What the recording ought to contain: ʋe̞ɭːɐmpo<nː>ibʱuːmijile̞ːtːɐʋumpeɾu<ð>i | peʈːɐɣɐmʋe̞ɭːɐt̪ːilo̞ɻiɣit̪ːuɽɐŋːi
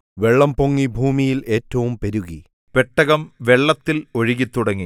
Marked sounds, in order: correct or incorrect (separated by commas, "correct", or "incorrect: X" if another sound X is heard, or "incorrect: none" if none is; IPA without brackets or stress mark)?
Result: incorrect: ŋː, incorrect: ɣ